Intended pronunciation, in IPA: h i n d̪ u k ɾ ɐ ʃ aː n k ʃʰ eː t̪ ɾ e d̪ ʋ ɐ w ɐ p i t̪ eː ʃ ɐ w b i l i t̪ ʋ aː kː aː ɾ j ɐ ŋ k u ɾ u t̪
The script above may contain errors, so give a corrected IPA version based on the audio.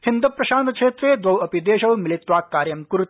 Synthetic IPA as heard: h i n d̪ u p ɾ ɐ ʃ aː n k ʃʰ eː t̪ ɾ e d̪ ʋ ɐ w ɐ p i d̪ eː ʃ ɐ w m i l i t̪ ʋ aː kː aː ɾ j ɐ m k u ɾ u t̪